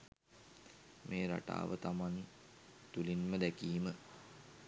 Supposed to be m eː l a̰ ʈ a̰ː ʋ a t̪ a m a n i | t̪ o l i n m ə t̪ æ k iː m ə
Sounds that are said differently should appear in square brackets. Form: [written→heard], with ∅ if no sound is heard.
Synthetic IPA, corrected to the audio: m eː [l→ɾ] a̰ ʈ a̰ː ʋ [a→ə] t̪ a m a n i | t̪ [o→u] l i n m ə [t̪→d̪] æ k iː m ə